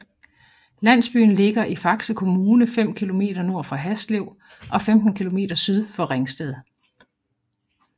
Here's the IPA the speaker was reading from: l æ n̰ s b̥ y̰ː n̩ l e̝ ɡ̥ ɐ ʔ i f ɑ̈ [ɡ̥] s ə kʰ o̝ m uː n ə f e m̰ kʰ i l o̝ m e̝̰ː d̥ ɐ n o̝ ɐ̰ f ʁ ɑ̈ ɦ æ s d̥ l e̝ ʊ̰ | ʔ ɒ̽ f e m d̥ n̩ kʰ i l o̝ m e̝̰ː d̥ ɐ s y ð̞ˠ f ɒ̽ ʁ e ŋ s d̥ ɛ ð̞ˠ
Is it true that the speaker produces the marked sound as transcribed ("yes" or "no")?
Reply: yes